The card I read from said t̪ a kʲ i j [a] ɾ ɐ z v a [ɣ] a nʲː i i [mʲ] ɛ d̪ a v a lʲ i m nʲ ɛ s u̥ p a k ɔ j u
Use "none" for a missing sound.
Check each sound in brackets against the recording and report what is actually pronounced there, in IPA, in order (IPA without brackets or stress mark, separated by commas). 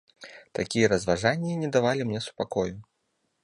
ɐ, ʐ, nʲ